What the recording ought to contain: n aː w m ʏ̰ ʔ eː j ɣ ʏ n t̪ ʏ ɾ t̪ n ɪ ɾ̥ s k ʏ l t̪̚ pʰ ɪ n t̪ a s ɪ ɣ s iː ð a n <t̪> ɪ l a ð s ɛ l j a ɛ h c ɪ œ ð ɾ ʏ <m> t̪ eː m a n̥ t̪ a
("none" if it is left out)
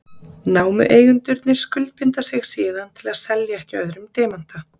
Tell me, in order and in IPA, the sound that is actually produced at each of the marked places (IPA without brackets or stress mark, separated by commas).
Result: t̪ʰ, m